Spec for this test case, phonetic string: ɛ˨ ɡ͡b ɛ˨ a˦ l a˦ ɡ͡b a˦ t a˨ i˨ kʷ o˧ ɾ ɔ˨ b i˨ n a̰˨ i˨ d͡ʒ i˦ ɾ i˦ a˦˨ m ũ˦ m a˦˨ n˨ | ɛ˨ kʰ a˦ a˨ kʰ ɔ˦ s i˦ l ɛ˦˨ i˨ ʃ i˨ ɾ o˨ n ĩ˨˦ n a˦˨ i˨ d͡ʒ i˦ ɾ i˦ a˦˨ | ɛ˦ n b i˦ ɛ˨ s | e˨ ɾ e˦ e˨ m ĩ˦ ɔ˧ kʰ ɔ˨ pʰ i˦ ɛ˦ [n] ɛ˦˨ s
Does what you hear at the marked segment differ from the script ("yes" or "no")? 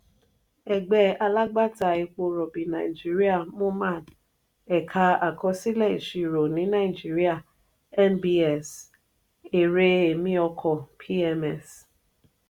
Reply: yes